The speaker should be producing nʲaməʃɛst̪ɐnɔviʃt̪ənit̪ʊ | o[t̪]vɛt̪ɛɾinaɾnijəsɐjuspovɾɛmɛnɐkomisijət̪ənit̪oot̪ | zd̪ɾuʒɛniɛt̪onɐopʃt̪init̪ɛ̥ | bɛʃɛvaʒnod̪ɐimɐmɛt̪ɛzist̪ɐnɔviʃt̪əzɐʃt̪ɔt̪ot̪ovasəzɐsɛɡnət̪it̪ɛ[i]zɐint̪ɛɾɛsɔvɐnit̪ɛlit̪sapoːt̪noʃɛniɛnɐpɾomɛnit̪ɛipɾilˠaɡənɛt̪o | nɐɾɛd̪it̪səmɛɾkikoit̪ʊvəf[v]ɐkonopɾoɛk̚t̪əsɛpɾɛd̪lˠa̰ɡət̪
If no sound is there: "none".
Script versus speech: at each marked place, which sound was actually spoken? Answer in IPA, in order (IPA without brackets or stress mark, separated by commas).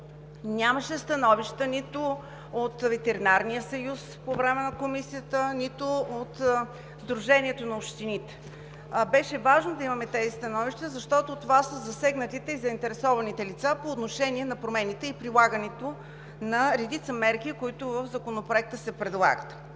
t̪, i, z